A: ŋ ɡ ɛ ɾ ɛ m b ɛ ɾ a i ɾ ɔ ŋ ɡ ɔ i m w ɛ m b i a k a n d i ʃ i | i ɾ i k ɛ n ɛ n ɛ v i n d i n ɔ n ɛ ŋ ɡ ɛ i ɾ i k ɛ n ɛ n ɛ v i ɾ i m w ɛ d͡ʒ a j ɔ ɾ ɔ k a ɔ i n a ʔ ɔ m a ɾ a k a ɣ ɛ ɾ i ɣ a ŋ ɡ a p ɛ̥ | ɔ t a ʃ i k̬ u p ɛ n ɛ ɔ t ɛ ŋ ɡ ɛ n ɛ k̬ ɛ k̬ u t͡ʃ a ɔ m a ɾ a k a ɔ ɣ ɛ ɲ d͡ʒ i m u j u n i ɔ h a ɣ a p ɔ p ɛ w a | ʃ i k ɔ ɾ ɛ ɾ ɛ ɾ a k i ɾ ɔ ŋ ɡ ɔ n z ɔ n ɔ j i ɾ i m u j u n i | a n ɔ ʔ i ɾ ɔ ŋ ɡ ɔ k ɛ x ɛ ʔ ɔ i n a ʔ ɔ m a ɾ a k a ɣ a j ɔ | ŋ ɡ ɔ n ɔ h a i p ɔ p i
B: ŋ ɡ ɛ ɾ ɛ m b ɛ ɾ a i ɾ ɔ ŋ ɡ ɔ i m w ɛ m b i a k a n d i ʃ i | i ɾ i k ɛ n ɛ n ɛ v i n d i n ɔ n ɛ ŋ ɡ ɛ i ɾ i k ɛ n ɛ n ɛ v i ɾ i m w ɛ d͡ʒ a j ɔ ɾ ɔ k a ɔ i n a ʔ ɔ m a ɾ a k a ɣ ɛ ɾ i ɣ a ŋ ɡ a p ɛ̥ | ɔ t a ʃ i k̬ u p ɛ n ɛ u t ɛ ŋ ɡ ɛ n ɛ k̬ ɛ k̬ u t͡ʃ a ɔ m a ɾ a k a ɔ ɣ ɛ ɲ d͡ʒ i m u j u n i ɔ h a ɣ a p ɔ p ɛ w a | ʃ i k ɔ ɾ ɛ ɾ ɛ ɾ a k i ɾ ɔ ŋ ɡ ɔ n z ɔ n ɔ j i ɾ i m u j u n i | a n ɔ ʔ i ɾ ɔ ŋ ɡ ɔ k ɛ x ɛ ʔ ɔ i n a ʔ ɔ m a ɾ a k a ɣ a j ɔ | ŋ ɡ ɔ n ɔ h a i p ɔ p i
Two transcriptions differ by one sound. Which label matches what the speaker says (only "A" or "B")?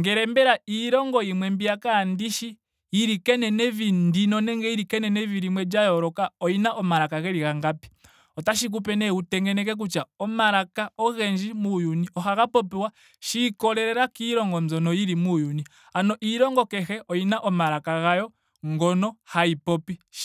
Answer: B